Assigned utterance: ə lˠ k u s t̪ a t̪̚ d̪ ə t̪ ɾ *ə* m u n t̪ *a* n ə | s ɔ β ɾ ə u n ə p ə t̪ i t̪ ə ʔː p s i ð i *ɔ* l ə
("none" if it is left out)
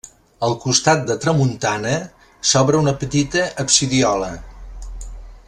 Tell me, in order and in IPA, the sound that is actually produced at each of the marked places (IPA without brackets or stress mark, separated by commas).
ə, a, ɔ